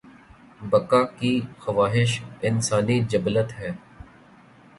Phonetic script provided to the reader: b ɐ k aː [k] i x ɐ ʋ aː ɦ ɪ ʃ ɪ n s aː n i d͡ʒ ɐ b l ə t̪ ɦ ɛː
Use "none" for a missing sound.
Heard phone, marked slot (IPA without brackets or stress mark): k